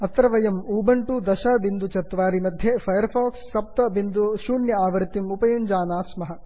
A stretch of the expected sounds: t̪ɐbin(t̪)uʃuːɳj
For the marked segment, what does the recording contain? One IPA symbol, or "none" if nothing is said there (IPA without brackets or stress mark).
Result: d̪